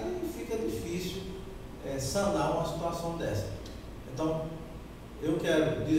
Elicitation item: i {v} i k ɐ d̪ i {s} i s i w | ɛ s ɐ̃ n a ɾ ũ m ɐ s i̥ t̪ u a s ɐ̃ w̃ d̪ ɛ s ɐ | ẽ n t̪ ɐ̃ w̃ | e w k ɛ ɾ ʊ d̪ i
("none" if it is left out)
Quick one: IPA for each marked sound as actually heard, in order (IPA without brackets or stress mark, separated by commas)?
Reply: f, f